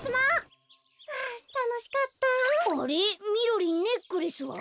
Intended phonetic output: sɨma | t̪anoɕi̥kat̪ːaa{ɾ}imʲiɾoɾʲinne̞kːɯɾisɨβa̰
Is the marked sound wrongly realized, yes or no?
no